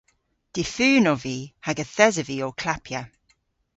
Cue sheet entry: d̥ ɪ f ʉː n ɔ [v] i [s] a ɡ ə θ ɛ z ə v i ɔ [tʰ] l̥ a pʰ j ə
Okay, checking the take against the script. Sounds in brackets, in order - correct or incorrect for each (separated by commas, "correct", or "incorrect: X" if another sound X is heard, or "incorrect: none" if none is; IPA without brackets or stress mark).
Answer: correct, incorrect: h, incorrect: kʰ